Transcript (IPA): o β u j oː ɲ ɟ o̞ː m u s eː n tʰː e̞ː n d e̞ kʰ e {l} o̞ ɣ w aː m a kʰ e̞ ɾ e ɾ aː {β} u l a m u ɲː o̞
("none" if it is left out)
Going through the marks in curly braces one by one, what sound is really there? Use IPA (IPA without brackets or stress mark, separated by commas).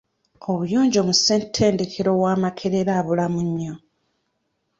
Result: ɾ, β